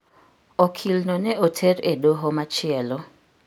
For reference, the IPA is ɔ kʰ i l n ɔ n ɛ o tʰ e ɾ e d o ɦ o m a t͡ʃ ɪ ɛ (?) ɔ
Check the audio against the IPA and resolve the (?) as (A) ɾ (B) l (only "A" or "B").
B